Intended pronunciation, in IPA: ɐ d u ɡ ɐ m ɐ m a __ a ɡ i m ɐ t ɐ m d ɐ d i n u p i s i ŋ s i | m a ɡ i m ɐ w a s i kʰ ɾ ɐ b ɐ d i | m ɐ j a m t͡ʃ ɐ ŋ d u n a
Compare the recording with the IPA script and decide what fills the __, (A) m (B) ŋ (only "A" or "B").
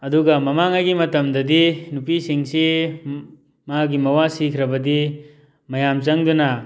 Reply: B